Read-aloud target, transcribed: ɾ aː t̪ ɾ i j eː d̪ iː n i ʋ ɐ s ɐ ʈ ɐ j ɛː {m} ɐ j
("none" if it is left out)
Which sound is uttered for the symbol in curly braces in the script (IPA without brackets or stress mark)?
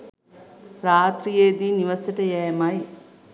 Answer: m